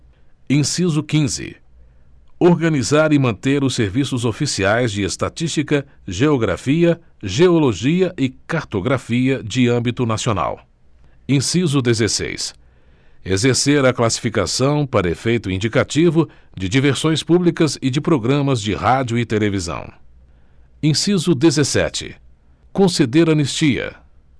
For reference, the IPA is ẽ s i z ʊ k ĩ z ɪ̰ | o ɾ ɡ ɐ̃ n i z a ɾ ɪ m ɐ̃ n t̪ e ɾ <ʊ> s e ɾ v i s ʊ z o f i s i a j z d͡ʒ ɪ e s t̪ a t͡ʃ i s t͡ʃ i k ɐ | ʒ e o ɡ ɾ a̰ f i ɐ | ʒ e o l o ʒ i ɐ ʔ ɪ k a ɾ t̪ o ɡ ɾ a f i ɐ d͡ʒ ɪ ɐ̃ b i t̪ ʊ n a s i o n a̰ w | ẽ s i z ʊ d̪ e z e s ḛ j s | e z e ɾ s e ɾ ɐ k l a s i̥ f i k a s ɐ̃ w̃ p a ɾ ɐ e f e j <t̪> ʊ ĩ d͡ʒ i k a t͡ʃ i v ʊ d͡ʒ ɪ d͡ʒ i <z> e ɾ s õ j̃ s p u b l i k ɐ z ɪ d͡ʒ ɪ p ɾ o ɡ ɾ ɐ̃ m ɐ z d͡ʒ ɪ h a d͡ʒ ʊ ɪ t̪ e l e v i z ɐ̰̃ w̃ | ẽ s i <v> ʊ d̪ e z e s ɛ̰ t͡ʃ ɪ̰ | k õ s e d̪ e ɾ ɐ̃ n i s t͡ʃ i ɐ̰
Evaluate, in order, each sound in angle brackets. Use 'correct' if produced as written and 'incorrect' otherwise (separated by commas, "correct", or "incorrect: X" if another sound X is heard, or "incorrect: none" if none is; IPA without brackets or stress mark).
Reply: correct, correct, incorrect: v, incorrect: z